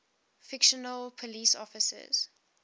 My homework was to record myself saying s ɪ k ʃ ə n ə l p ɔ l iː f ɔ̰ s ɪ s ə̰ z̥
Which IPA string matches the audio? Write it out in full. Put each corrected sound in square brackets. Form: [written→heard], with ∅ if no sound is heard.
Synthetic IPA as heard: [s→f] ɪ k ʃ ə n ə l [p→pʰ] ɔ l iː [f→s] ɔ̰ [s→f] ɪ s ə̰ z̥